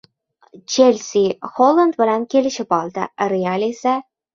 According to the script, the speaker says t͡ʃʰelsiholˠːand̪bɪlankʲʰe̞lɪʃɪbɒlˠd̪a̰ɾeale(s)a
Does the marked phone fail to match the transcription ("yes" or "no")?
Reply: no